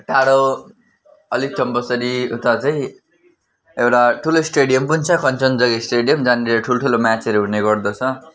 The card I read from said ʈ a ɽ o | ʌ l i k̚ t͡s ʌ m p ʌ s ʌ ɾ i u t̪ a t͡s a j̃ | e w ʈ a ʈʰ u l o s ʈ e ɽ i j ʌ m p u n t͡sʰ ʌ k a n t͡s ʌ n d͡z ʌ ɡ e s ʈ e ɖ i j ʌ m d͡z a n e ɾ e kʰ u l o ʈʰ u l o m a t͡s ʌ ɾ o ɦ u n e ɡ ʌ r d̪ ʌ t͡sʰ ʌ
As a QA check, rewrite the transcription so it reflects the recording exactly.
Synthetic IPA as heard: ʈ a ɽ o | ʌ l i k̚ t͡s ʌ m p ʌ s ʌ ɾ i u t̪ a t͡s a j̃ | e w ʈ a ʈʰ u l o s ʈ e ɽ i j ʌ m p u n t͡sʰ ʌ k ʌ n t͡s ʌ n d͡z ʌ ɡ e s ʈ e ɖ i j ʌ m d͡z a n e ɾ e ʈʰ u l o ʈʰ u l o m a t͡s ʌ ɾ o ɦ u n e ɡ ʌ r d̪ ʌ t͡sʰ ʌ